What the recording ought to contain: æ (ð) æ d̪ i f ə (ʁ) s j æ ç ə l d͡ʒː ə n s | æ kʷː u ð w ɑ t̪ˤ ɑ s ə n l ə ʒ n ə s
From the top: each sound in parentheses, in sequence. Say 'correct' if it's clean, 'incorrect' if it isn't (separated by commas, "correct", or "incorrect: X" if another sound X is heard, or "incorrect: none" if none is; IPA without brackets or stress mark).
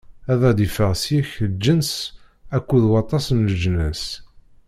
correct, correct